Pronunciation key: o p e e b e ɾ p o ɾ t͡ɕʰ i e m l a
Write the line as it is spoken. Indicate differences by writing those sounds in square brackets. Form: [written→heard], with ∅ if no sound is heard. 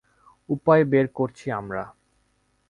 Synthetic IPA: [o→u] p [e→a] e b e ɾ [p→k] o ɾ t͡ɕʰ i [e→a] m [l→ɾ] a